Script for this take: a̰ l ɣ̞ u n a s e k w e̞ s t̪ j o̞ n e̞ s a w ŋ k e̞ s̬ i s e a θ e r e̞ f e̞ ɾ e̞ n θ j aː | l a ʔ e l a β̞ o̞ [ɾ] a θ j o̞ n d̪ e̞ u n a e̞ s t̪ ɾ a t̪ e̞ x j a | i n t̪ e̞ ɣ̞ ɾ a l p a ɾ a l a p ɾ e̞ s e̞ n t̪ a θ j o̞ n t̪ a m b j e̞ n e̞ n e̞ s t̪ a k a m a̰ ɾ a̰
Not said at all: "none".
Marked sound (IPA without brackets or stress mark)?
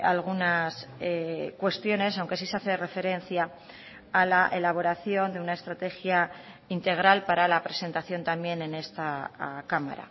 ɾ